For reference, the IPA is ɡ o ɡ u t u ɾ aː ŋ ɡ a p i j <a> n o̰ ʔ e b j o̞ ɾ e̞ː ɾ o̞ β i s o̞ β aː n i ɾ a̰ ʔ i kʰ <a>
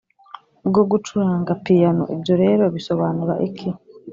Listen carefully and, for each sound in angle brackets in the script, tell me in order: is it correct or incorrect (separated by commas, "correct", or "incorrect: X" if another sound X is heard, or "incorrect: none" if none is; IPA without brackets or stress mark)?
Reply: correct, incorrect: i